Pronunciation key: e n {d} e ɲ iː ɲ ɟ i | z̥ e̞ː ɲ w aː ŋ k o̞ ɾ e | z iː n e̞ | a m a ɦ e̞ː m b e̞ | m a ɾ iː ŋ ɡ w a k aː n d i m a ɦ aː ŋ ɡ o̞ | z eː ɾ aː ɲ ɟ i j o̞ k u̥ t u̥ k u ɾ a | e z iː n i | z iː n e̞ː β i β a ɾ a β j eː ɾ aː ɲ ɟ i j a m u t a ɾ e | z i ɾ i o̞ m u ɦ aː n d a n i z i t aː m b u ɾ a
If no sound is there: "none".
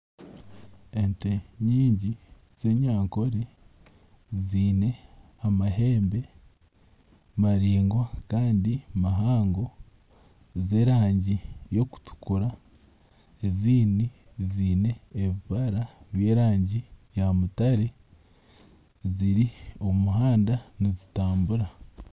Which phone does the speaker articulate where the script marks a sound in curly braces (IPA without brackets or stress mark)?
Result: t